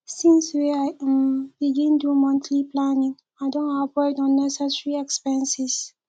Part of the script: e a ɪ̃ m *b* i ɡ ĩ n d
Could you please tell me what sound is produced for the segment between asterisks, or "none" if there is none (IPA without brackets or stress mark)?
b